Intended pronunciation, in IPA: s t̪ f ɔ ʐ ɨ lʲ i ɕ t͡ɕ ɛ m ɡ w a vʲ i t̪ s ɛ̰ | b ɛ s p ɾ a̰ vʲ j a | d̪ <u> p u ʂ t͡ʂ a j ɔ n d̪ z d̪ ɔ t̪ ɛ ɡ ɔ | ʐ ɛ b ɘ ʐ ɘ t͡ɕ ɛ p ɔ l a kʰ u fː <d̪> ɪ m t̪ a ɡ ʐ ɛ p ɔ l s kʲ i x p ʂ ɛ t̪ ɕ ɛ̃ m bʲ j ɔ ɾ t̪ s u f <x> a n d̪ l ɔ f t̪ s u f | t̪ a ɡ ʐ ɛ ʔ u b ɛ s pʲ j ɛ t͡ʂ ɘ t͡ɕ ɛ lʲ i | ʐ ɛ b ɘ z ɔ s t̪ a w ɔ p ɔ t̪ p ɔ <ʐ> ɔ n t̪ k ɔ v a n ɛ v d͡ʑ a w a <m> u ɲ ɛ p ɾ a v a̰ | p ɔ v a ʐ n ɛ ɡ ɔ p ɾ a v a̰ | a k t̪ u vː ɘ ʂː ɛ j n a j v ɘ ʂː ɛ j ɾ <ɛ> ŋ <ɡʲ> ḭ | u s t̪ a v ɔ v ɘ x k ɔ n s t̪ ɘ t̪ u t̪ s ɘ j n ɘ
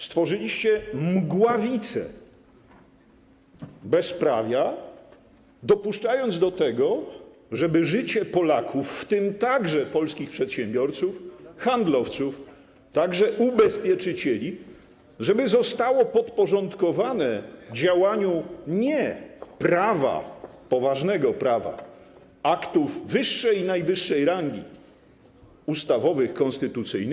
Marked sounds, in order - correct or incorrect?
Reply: incorrect: ɔ, incorrect: t̪, correct, correct, incorrect: ɲ, incorrect: a, correct

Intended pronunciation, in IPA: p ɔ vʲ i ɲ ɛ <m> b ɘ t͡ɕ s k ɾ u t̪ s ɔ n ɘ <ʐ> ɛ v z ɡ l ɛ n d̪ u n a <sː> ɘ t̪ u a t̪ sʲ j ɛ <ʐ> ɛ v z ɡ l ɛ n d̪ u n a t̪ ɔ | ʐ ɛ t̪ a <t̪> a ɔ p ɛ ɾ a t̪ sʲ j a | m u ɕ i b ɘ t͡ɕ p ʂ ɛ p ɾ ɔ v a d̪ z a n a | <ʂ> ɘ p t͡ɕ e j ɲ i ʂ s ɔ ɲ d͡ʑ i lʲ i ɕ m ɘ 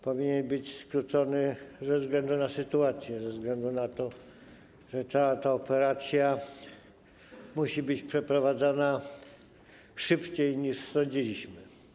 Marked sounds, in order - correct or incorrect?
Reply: incorrect: n, incorrect: z, incorrect: s, incorrect: z, correct, correct

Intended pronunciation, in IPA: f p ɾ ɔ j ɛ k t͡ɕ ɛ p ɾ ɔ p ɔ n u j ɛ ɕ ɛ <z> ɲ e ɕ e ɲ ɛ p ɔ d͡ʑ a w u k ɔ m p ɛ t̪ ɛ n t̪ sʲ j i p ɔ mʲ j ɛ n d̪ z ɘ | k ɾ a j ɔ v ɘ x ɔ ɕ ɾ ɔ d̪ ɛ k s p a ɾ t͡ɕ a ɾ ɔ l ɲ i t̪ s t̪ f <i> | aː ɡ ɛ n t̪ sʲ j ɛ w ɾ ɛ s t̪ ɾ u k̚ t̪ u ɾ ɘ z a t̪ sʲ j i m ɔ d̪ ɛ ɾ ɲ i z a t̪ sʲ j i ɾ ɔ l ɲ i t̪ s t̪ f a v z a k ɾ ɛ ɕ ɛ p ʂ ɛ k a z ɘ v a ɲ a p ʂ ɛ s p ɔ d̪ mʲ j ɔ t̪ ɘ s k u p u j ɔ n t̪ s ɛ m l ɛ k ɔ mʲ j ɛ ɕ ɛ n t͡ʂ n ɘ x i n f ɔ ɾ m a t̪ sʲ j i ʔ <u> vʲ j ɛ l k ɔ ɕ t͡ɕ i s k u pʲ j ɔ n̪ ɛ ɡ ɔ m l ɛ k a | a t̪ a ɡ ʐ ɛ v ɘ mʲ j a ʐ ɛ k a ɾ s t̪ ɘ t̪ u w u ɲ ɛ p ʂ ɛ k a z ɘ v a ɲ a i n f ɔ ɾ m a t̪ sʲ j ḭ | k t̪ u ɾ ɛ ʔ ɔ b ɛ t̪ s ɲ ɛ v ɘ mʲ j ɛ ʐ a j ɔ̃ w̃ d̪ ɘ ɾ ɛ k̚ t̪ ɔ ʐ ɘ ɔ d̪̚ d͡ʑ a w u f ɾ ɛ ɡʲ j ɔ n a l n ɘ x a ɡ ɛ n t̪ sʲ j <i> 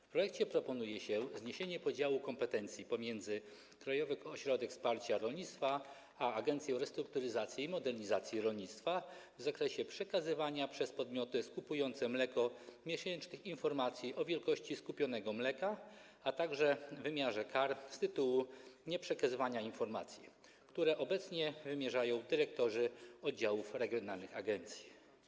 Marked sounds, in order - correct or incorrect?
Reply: correct, incorrect: a, incorrect: ɔ, correct

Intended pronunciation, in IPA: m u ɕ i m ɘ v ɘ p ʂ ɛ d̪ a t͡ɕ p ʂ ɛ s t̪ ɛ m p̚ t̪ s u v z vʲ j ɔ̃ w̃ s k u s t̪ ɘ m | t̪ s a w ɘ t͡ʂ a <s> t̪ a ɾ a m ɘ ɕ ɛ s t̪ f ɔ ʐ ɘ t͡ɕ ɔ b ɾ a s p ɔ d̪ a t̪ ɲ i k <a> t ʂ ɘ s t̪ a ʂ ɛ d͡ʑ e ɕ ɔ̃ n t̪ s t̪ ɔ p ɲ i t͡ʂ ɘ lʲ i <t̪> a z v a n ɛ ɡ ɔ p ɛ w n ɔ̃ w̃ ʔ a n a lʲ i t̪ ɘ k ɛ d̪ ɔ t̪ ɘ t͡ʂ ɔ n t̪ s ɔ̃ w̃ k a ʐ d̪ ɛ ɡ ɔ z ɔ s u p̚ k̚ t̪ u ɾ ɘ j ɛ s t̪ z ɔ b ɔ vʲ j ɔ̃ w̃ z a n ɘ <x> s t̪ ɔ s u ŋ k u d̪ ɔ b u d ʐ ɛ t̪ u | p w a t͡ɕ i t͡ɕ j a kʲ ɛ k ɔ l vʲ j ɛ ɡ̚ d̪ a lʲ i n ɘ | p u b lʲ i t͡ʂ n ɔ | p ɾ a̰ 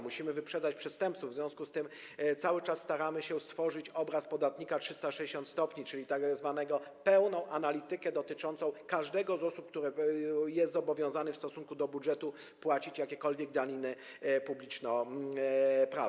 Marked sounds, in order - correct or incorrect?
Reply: incorrect: sː, correct, correct, incorrect: f

